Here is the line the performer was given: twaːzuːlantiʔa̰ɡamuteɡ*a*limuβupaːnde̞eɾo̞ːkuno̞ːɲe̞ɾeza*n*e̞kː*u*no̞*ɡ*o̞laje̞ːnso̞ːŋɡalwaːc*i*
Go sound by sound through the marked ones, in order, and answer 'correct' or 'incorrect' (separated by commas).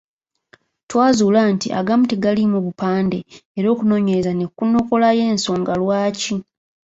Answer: correct, correct, correct, incorrect, correct